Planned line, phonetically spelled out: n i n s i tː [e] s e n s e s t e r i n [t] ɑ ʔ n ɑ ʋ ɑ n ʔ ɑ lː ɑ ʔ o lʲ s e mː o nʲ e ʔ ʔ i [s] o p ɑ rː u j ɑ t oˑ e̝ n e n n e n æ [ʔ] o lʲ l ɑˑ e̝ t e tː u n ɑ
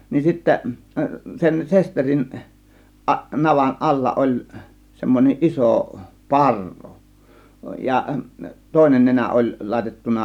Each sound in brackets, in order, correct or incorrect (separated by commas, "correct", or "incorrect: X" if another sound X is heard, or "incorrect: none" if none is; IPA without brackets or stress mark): incorrect: æ, incorrect: ʔ, correct, correct